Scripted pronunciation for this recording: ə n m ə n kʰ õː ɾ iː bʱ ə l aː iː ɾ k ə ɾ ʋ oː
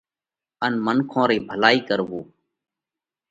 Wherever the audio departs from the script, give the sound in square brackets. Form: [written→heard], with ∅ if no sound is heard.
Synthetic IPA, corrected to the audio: ə n m ə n kʰ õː ɾ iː bʱ ə l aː iː [ɾ→∅] k ə ɾ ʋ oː